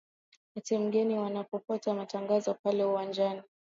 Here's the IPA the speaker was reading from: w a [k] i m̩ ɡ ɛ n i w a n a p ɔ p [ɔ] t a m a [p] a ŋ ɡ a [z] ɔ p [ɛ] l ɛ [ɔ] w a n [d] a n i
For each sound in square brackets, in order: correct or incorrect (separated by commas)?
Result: incorrect, correct, incorrect, correct, incorrect, incorrect, incorrect